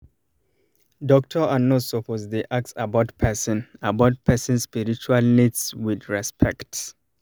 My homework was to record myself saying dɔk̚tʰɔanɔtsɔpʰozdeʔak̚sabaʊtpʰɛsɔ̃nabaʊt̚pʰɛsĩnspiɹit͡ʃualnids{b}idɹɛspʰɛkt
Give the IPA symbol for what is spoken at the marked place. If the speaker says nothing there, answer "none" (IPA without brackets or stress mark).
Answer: w